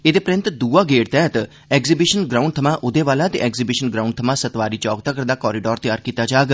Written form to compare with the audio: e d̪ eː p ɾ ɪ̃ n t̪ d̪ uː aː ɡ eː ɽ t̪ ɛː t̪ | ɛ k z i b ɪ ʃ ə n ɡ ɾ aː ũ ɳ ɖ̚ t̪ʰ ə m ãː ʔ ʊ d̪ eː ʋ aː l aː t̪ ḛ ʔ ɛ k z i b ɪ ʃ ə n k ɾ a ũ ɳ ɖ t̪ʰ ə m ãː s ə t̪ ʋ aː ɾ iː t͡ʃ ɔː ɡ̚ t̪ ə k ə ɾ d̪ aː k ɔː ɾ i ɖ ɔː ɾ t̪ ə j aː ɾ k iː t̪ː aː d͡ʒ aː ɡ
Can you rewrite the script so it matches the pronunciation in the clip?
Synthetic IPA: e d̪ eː p ɾ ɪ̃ n t̪ d̪ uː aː ɡ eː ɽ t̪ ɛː t̪ | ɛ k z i b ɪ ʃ ə n ɡ ɾ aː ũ ɳ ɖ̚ t̪ʰ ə m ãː ʔ ʊ d̪ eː ʋ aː l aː t̪ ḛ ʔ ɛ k z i b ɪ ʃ ə n ɡ ɾ a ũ ɳ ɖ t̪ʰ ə m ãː s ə t̪ ʋ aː ɾ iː t͡ʃ ɔː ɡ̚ t̪ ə k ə ɾ d̪ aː k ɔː ɾ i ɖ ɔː ɾ t̪ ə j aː ɾ k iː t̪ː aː d͡ʒ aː ɡ